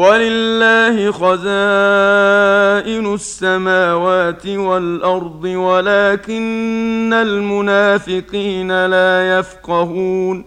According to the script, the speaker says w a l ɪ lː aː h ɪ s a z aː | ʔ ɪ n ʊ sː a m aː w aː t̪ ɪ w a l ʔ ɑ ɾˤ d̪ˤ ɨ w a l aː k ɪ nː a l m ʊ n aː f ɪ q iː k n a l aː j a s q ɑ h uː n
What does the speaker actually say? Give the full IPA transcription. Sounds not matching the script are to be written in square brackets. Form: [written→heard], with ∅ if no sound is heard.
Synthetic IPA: w a l ɪ lː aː h ɪ [s→x] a z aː | ʔ ɪ n ʊ sː a m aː w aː t̪ ɪ w a l ʔ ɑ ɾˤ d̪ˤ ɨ w a l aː k ɪ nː a l m ʊ n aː f ɪ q iː [k→∅] n a l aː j a [s→f] q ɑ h uː n